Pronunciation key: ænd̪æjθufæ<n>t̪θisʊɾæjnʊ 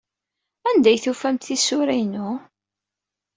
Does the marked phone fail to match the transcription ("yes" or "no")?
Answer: yes